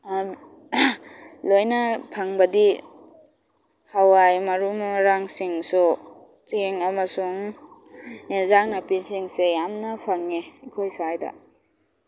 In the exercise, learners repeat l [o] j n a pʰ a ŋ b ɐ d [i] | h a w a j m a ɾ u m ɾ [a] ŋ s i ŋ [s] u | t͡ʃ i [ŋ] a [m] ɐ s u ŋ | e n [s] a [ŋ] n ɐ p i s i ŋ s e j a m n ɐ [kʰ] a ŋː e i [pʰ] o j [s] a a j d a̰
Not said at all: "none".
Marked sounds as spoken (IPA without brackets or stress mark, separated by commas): o, i, a, s, ŋ, m, z, ŋ, pʰ, kʰ, s